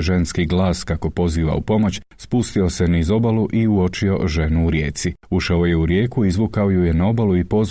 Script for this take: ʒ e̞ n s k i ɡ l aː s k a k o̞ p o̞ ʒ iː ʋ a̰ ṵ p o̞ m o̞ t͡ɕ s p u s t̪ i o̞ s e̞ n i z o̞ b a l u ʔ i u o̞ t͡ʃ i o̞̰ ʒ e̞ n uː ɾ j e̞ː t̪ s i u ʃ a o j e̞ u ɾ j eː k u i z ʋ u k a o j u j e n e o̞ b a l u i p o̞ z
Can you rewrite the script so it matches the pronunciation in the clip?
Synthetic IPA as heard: ʒ e̞ n s k i ɡ l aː s k a k o̞ p o̞ z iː ʋ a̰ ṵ p o̞ m o̞ t͡ɕ s p u s t̪ i o̞ s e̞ n i z o̞ b a l u ʔ i u o̞ t͡ʃ i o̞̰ ʒ e̞ n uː ɾ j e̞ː t̪ s i u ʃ a o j e̞ u ɾ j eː k u i z ʋ u k a o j u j e n a o̞ b a l u i p o̞ z